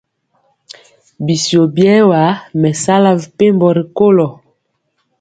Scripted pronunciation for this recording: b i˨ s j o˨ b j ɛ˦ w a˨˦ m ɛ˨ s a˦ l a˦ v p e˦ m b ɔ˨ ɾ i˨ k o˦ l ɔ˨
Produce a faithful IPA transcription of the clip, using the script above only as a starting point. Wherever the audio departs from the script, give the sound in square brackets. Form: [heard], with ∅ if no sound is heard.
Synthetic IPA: b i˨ s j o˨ b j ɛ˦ w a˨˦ m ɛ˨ s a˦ l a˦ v p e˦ m b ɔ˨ ɾ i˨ k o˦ l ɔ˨